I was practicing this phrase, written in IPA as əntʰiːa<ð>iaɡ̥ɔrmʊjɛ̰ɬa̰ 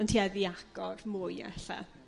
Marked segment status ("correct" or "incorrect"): correct